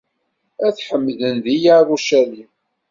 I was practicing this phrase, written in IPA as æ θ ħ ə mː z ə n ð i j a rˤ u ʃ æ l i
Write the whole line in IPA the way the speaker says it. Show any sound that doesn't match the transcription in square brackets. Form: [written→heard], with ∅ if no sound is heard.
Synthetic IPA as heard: æ θ ħ ə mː [z→ð] ə n ð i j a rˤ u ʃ æ l i